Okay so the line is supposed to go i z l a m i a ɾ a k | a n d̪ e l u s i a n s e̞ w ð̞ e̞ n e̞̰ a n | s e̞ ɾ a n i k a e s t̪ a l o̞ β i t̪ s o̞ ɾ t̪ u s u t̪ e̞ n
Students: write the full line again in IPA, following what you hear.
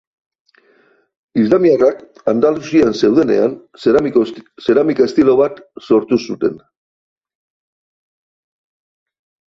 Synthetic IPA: i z l a m i a r a k | a n d̪ a l u s i a n s e̞ w ð̞ e̞ n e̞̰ a n | s e̞ ɾ a m i k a e s t̪ i l o̞ β a t̪ s o̞ ɾ t̪ u s u t̪ e̞ n